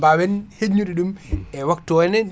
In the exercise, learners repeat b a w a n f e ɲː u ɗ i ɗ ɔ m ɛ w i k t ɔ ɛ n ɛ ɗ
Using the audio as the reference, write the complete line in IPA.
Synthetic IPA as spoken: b a w ɛ n h e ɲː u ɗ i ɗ u m ɛ w a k t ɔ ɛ n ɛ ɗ